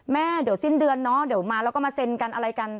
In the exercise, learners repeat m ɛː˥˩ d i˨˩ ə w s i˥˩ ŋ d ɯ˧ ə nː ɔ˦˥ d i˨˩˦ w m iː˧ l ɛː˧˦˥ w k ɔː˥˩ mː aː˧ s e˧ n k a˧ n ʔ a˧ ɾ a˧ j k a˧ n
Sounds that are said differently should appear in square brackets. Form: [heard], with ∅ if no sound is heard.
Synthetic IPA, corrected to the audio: m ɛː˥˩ d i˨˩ ə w s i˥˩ [n] d ɯ˧ ə nː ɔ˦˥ d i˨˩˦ w m [aː˧] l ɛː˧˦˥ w k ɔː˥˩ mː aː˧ s e˧ n k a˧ n ʔ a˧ ɾ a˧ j k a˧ n